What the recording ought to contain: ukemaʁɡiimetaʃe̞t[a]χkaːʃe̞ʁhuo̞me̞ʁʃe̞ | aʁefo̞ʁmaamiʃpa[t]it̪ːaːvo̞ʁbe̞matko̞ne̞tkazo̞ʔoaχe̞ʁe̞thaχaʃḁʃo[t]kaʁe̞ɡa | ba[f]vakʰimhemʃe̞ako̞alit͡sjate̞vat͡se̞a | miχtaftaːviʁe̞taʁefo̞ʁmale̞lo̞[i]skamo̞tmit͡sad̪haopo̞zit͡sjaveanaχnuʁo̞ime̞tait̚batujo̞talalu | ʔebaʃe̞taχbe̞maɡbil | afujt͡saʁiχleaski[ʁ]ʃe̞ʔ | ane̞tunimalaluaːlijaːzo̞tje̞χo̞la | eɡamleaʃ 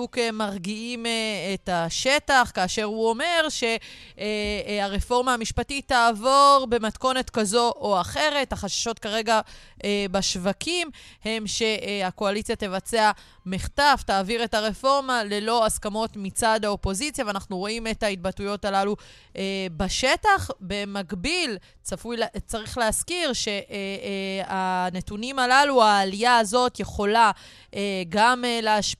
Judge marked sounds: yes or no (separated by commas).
yes, yes, yes, no, no, yes